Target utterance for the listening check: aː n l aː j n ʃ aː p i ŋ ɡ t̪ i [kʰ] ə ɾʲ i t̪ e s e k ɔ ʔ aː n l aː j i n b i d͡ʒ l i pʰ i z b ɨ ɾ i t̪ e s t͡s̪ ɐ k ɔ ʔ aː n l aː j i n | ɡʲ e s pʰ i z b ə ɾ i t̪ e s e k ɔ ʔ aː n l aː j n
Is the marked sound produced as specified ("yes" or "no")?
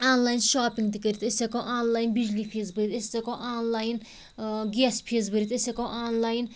no